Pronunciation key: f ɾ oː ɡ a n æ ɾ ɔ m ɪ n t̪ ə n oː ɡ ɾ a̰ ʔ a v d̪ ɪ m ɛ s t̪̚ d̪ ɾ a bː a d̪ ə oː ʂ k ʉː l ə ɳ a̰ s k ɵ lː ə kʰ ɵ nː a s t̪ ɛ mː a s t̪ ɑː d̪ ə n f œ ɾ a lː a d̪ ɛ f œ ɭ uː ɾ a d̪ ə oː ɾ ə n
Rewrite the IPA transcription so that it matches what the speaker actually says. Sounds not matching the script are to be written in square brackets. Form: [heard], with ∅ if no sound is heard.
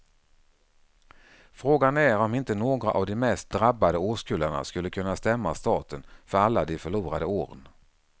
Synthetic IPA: f ɾ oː ɡ a n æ ɾ ɔ m ɪ n t̪ ə n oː ɡ ɾ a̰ ʔ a v d̪ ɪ m ɛ s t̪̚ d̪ ɾ a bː a d̪ ə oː ʂ k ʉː l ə ɳ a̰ s k ɵ lː ə kʰ ɵ nː a s t̪ ɛ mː a s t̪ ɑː [t̪] ə n f œ ɾ a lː a d̪ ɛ f œ ɭ uː ɾ a d̪ ə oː ɾ ə n